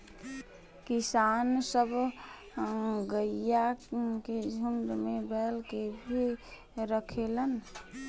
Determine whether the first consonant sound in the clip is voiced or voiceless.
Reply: voiceless